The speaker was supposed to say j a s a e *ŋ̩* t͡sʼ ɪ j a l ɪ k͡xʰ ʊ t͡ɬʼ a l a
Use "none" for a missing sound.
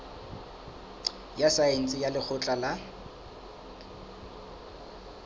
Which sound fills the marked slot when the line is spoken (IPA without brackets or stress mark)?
n̩